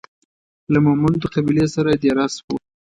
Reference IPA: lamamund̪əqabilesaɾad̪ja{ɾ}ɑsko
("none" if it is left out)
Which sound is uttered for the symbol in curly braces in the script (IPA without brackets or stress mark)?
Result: ɾ